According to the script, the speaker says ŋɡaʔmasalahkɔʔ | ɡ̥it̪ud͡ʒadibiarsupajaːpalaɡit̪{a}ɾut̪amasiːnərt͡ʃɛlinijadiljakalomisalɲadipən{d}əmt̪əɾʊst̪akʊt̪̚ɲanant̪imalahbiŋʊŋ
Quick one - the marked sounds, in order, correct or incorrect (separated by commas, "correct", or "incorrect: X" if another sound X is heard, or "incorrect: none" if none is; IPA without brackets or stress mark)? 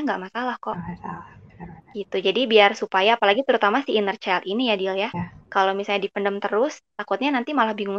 incorrect: ə, correct